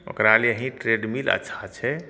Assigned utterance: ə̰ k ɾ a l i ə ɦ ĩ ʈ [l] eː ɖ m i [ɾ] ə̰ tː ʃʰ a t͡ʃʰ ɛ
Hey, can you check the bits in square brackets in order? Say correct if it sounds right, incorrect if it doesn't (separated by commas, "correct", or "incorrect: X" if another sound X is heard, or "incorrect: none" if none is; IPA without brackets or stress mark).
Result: incorrect: ɾ, incorrect: l